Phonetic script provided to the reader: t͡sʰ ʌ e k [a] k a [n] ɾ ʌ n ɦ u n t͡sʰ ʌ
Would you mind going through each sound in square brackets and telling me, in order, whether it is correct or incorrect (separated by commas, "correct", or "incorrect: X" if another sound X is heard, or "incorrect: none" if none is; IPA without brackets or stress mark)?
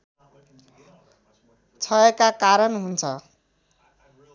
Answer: correct, incorrect: none